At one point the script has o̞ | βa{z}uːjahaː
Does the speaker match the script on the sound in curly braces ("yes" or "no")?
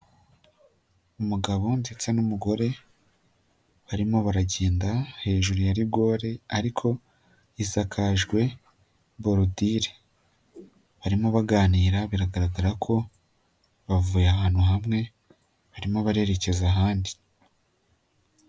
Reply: no